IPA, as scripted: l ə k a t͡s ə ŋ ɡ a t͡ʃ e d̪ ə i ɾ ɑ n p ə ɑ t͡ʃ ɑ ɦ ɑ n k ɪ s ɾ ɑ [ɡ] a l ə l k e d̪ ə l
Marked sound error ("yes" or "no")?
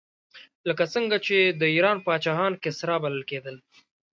yes